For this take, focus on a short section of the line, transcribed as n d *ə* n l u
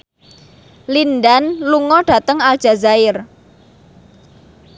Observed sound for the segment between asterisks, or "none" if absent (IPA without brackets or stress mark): a